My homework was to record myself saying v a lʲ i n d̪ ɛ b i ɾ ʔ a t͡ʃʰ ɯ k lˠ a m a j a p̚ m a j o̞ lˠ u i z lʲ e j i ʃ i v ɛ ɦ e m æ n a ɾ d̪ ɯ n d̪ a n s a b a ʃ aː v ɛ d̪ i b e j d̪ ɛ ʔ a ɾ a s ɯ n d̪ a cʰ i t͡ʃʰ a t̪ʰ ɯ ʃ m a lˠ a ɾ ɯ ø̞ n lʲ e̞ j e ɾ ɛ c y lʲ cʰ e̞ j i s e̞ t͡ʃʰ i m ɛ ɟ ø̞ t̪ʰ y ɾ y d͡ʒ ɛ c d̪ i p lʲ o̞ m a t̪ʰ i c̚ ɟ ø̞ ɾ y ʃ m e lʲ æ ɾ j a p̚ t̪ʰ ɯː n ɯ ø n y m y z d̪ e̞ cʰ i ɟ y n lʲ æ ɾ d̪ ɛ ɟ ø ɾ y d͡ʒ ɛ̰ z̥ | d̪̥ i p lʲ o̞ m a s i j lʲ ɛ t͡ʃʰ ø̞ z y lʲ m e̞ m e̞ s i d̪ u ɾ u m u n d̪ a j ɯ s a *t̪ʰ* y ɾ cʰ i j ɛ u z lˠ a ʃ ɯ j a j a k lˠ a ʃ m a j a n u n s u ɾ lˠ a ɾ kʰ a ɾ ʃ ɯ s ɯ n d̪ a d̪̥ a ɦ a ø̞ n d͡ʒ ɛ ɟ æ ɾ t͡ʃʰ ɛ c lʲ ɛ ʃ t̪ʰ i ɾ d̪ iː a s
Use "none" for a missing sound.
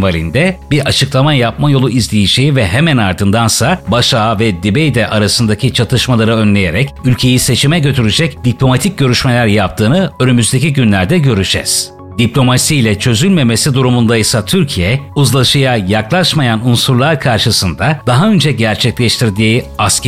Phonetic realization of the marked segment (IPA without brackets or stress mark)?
t̪ʰ